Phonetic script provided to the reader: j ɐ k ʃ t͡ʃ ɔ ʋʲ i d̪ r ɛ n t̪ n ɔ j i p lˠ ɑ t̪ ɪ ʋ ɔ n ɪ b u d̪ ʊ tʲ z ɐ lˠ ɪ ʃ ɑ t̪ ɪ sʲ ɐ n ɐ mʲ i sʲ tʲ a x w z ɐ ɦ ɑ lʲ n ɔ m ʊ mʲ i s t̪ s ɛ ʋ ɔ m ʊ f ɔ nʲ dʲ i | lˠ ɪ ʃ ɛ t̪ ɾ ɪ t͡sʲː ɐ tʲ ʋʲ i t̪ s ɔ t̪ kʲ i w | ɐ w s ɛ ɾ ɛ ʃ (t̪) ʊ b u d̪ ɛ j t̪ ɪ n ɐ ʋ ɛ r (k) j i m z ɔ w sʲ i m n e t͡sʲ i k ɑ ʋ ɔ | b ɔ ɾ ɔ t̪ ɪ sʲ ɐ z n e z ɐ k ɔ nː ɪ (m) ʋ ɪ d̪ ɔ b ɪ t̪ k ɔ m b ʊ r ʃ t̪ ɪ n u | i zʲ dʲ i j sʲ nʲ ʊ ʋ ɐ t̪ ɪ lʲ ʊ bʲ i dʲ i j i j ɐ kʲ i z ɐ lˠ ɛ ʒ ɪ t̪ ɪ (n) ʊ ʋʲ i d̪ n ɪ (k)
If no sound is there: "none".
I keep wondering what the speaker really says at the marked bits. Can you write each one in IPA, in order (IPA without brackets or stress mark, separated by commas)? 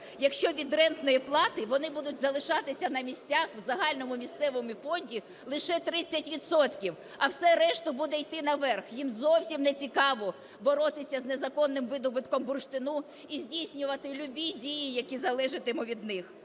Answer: t̪, x, m, m, x